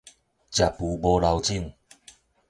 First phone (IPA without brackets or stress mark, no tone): t͡ɕ